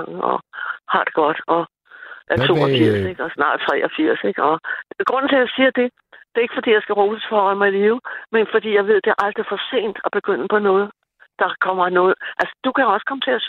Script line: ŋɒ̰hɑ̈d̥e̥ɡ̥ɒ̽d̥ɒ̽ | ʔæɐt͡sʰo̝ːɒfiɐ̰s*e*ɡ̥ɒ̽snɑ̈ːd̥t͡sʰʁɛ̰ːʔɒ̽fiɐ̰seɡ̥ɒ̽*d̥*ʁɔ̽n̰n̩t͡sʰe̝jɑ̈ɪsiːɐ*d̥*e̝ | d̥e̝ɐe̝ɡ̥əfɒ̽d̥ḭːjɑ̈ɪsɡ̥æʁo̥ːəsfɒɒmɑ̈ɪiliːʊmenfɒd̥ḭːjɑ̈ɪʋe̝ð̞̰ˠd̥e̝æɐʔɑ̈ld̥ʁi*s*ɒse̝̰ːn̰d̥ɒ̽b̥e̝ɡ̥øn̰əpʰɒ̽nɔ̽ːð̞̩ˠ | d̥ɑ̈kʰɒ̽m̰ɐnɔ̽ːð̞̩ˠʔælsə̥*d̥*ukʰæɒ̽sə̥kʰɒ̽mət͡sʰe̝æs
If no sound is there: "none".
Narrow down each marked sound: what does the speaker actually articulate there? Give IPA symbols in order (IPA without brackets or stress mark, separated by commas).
e, ɡ̥, d̥, f, d̥